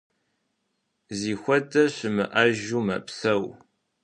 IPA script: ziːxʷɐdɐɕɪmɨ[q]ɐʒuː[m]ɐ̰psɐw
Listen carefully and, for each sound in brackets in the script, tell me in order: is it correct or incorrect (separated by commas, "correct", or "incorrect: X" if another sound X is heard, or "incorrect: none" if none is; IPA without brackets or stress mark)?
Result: incorrect: ʔ, correct